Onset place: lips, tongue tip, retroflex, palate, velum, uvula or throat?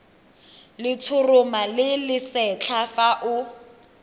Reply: tongue tip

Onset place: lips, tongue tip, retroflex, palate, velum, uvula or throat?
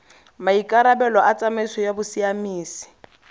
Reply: lips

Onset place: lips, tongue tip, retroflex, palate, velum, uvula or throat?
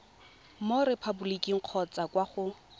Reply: lips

